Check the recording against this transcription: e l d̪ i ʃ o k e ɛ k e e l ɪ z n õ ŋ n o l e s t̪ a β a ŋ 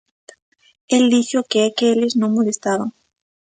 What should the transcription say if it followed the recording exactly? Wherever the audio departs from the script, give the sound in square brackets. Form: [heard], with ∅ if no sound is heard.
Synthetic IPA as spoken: e l d̪ i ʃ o k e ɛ k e e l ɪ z n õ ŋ [m] o l e s t̪ a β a ŋ